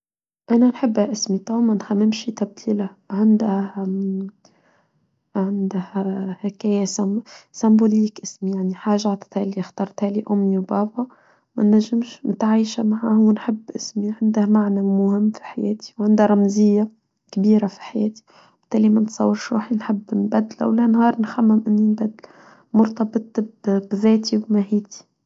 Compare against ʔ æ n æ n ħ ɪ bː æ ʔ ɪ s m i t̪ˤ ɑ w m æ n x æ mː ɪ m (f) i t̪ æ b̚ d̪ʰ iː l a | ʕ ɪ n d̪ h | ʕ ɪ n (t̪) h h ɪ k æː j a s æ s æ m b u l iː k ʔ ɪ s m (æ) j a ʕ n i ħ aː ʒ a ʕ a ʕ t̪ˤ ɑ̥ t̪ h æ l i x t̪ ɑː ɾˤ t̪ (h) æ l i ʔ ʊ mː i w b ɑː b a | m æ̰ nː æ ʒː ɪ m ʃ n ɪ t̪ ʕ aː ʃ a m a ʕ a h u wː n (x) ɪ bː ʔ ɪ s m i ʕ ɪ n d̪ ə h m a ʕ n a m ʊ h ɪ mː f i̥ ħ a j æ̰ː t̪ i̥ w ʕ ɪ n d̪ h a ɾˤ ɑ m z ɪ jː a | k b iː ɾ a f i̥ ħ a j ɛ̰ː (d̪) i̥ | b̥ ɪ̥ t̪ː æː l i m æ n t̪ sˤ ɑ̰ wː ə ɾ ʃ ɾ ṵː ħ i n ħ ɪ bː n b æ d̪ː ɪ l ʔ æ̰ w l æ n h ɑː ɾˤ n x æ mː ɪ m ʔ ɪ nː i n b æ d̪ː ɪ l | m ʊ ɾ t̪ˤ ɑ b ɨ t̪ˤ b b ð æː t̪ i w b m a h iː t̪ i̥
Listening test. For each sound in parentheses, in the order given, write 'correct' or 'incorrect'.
incorrect: ʃ, incorrect: d̪, incorrect: i, correct, incorrect: ħ, incorrect: t̪

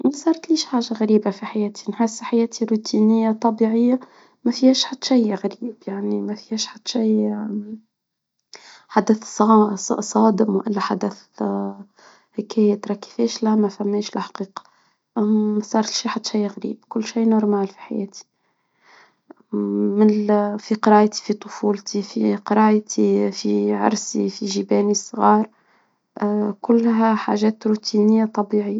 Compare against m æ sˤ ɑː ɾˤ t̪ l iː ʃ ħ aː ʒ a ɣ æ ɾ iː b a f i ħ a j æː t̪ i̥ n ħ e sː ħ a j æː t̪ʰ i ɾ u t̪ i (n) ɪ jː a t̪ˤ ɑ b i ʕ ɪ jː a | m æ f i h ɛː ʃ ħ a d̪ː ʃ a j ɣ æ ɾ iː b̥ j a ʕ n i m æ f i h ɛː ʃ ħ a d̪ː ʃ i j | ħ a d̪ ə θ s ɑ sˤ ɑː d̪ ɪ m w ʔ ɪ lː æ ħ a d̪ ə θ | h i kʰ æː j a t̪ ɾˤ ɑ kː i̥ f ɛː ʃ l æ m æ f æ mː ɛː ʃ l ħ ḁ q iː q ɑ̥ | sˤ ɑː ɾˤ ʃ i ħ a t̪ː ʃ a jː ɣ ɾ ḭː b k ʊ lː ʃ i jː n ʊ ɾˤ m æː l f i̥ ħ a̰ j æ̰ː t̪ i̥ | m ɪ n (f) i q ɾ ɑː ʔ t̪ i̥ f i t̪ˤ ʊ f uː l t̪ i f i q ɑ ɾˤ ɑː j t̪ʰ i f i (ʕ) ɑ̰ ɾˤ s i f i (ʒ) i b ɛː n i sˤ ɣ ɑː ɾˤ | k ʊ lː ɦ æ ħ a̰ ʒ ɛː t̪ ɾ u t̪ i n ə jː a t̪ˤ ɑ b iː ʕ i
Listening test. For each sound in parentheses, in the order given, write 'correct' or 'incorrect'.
correct, correct, correct, correct

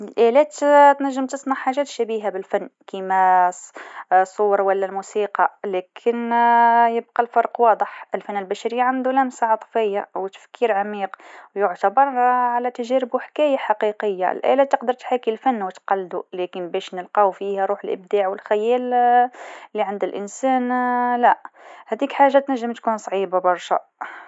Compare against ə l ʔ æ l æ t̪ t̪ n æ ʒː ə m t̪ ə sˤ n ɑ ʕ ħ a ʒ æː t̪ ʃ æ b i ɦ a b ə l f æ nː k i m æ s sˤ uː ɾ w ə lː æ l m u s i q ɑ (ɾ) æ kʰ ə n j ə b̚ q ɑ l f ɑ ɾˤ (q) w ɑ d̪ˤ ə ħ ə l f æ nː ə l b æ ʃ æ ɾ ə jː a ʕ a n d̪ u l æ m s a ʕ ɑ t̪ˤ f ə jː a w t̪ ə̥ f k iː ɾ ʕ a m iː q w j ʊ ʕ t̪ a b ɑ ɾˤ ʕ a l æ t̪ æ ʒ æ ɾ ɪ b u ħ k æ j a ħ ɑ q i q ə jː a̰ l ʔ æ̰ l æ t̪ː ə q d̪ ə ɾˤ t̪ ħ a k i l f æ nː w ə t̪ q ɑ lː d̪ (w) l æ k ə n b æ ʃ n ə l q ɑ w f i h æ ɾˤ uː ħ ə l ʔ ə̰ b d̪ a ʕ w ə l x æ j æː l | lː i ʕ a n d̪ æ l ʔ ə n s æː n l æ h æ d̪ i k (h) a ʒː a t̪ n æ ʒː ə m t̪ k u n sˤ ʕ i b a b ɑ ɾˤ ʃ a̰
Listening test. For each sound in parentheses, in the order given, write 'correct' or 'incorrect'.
incorrect: l, correct, incorrect: u, incorrect: ħ

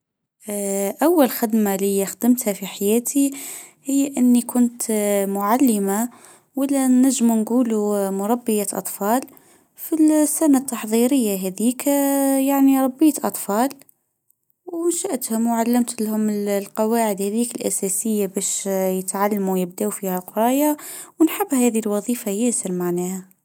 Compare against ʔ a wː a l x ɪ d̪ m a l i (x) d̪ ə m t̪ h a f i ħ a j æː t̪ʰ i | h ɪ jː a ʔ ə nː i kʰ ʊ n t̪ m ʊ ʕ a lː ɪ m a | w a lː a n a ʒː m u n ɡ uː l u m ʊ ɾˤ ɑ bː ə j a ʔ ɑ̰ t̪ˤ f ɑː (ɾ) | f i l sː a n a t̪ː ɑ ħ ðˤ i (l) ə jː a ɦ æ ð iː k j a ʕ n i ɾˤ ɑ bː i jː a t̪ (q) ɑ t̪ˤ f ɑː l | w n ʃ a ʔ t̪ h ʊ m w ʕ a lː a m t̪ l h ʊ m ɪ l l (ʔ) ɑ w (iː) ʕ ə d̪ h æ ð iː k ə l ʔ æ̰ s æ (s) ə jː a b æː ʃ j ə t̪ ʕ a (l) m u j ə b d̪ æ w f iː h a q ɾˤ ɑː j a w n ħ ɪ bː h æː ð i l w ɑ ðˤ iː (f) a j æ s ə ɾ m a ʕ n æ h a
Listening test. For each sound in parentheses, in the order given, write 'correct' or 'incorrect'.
correct, incorrect: l, incorrect: ɾ, incorrect: ʔ, incorrect: q, incorrect: aː, correct, incorrect: lː, correct

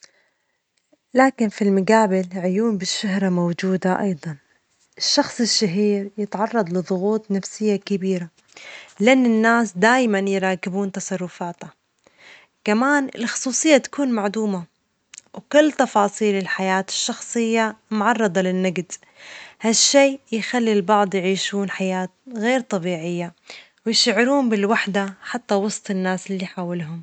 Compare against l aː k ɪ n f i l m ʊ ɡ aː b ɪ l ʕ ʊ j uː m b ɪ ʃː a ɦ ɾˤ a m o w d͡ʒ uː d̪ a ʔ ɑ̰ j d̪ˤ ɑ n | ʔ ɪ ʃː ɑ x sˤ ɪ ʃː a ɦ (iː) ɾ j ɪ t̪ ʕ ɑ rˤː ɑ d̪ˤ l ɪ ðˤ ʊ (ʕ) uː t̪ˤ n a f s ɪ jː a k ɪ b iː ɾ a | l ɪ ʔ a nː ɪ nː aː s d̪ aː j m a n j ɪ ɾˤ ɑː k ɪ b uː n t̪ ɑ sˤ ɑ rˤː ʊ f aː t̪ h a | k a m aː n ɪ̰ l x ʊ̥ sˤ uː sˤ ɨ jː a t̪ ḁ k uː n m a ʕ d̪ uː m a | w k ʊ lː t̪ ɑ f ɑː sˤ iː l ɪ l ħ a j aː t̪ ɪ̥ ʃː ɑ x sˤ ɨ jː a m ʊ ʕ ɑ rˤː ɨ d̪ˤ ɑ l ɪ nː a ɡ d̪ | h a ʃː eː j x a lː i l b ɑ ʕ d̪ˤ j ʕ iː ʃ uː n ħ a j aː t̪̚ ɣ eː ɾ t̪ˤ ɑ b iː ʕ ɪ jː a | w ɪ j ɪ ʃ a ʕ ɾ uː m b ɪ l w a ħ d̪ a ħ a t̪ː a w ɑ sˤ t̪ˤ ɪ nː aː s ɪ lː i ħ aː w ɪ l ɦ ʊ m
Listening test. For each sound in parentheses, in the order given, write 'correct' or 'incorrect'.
correct, incorrect: ɣ

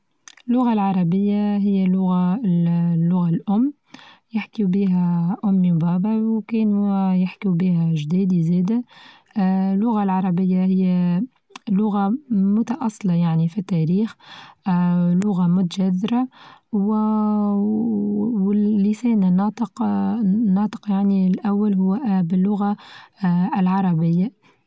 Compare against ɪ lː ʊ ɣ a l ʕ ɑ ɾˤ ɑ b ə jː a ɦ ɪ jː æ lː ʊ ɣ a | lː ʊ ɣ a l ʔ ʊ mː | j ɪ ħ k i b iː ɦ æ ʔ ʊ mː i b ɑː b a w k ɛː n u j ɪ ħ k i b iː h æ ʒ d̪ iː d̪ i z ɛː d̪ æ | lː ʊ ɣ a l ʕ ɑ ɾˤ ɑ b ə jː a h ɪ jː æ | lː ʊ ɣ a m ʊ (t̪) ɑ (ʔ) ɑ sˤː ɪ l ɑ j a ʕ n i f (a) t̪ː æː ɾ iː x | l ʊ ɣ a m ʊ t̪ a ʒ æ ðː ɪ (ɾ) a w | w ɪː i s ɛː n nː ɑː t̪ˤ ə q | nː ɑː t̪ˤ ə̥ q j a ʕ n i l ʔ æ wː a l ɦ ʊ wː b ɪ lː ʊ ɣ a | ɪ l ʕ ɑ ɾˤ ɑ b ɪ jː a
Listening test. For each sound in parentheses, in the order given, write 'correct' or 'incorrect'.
correct, correct, incorrect: i, correct

